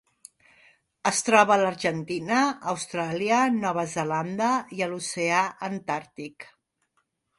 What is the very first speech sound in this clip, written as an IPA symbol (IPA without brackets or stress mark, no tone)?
ə